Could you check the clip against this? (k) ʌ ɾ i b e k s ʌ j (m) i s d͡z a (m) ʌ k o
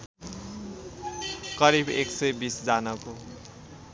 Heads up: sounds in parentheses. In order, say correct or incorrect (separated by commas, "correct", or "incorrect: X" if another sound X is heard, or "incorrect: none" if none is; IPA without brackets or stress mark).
correct, incorrect: b, incorrect: n